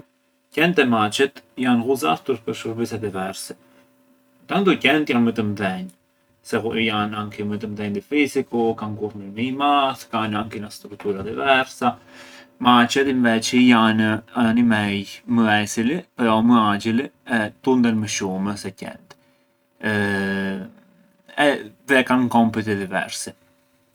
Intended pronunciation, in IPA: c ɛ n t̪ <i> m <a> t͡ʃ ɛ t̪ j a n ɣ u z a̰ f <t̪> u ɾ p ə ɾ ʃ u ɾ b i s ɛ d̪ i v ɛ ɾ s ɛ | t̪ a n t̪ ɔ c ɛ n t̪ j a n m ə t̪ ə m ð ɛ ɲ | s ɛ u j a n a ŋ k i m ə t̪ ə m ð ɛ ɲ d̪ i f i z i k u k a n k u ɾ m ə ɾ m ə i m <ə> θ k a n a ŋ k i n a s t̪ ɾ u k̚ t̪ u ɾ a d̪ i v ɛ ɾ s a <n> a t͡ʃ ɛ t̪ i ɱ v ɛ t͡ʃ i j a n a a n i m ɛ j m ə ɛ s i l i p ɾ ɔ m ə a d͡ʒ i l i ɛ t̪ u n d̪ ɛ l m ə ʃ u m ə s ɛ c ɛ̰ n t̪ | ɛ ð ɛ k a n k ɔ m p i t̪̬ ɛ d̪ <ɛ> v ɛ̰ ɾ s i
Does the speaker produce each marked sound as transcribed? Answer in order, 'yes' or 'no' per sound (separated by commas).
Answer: no, yes, yes, no, no, no